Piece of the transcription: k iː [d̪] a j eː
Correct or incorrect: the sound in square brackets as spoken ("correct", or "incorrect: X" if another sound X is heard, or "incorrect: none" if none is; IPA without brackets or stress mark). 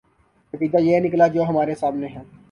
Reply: correct